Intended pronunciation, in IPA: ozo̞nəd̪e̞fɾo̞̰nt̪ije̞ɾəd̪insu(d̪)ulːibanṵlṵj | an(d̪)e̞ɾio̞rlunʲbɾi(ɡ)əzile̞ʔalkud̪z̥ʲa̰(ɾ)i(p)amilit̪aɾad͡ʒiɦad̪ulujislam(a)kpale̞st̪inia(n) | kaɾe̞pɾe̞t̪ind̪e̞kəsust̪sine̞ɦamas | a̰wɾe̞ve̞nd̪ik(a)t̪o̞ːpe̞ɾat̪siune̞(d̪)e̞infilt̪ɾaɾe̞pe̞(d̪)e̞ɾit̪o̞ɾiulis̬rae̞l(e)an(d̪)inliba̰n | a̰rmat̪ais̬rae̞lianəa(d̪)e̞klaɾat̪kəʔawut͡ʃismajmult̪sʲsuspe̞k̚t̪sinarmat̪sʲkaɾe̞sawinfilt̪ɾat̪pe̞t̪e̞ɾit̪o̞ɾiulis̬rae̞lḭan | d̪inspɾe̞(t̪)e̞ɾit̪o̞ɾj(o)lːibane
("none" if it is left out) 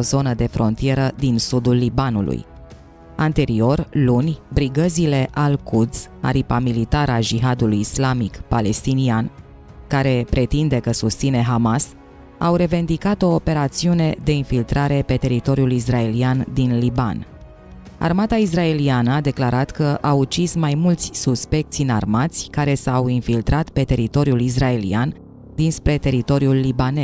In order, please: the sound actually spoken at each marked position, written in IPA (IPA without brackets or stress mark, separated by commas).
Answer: d̪, t̪, ɡ, ɾ, p, i, n, a, d̪, t̪, i, d̪, d̪, t̪, u